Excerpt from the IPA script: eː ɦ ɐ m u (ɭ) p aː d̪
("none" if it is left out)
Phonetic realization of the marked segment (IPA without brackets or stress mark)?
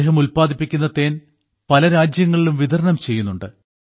l